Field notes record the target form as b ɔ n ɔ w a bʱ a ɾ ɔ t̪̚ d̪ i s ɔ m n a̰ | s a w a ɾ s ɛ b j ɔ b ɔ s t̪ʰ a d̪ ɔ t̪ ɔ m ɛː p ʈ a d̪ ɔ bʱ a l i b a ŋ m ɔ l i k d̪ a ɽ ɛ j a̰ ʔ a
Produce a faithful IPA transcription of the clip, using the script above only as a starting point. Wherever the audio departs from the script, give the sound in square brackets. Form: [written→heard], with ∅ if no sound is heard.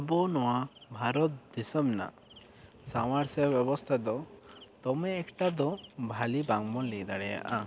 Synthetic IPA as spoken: b ɔ n ɔ w a bʱ a ɾ ɔ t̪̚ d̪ i s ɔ m n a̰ | s a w a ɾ s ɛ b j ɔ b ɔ s t̪ʰ a d̪ ɔ t̪ ɔ m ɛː [p→k] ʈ a d̪ ɔ bʱ a l i b a ŋ m ɔ l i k d̪ a ɽ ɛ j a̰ ʔ a